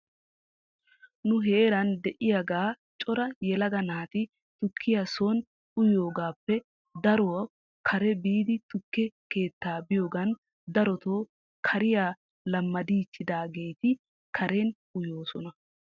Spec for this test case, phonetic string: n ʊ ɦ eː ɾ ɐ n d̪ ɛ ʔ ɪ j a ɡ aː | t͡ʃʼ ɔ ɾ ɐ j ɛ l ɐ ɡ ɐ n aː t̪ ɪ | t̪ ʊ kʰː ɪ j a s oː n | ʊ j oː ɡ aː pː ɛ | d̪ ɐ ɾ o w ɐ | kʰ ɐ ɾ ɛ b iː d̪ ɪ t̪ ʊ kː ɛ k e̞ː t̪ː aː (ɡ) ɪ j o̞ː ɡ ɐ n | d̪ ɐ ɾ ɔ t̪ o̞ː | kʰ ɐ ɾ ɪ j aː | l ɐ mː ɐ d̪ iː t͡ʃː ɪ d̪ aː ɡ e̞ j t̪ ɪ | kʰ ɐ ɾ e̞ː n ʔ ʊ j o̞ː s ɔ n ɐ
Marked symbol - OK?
no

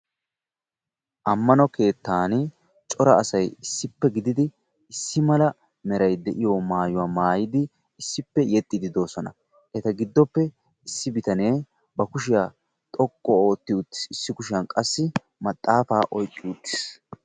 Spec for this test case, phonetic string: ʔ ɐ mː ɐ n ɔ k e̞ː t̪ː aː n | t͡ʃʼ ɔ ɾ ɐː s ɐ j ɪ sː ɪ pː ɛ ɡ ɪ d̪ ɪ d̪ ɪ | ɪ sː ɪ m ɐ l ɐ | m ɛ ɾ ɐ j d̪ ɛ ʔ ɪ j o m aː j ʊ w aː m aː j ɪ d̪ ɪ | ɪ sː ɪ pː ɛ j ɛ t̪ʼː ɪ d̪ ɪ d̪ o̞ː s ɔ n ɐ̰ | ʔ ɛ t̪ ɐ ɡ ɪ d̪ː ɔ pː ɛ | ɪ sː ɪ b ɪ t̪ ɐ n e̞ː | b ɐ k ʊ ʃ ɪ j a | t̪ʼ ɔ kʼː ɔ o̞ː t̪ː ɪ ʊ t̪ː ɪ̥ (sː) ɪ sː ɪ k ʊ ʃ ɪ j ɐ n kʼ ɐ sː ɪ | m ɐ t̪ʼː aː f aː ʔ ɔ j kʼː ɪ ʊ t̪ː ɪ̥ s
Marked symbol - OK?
no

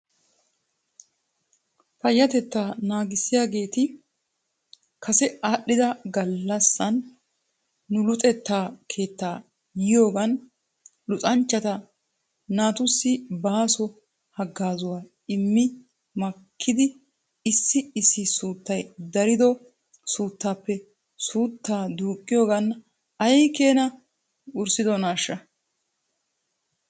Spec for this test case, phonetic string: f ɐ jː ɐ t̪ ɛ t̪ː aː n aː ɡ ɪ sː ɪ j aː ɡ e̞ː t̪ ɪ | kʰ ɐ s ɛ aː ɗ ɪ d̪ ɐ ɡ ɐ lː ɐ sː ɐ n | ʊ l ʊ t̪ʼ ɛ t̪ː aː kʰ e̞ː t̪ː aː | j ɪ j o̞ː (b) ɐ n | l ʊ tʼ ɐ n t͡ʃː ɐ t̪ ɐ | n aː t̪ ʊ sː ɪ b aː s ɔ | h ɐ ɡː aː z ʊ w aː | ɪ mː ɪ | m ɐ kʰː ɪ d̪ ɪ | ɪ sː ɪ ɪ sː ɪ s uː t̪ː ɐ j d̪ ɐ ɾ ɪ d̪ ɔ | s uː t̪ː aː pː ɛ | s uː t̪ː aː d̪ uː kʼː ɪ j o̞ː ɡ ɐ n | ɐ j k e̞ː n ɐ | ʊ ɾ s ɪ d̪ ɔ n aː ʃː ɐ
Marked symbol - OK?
no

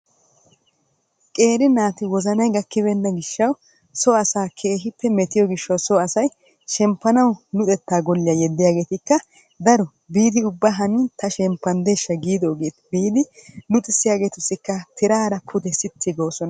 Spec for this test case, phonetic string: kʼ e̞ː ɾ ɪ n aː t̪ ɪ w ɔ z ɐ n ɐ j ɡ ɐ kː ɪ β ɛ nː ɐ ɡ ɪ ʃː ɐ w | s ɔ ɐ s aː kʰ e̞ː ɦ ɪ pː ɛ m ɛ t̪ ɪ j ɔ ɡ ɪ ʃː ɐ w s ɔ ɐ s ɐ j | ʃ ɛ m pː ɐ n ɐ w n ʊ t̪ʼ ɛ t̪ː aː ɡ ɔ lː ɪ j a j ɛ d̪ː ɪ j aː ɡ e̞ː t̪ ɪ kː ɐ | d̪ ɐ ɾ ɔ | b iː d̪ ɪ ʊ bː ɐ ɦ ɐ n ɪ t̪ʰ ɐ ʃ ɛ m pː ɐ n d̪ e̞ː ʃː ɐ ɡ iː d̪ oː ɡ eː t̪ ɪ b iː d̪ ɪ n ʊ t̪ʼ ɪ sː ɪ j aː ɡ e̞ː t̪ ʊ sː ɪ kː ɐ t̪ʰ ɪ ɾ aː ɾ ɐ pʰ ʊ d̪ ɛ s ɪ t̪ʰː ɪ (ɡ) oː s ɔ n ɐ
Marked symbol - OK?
yes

